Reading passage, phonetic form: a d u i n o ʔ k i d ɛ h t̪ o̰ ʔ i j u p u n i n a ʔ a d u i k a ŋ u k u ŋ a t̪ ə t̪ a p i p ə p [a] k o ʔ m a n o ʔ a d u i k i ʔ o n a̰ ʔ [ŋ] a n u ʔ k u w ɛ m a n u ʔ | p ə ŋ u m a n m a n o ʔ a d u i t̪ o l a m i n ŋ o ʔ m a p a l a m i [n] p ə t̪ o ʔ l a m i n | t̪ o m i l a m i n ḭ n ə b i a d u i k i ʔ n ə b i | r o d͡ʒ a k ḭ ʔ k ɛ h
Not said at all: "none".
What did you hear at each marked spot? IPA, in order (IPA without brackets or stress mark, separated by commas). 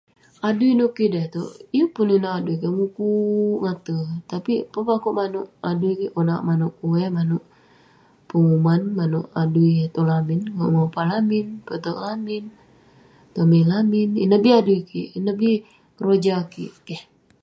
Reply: a, m, n